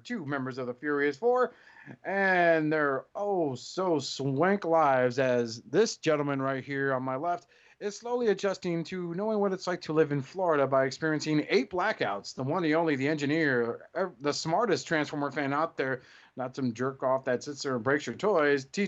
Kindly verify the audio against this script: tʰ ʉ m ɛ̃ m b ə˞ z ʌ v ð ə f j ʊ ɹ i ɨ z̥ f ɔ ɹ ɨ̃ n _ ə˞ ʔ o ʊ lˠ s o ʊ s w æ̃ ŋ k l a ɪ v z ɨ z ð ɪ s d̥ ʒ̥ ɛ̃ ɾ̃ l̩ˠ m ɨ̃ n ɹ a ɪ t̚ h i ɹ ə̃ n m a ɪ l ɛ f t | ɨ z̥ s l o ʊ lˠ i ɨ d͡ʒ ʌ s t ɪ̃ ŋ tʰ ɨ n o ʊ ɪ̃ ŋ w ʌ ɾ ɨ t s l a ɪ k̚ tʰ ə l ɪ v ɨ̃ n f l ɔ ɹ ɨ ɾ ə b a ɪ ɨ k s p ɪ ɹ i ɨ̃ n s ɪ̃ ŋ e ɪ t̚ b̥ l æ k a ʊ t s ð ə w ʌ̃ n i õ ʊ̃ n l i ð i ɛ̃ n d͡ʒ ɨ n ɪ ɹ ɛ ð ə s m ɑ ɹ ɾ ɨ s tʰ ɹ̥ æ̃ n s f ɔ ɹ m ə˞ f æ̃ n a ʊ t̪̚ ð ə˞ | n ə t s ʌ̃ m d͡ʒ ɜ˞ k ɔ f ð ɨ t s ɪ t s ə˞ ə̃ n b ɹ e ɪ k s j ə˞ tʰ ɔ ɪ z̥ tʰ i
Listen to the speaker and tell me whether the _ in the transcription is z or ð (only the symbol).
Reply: ð